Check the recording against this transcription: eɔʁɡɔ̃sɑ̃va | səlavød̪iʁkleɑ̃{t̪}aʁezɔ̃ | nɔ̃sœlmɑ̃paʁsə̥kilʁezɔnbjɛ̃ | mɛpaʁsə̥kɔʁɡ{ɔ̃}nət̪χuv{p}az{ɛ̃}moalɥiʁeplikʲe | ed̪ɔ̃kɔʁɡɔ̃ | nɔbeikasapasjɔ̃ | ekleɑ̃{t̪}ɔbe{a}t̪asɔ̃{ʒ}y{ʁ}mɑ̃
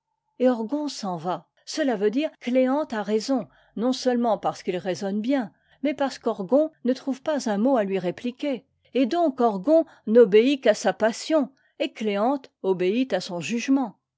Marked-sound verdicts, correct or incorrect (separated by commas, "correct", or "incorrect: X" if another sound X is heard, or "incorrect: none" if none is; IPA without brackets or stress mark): correct, correct, correct, correct, correct, incorrect: i, correct, incorrect: ʒ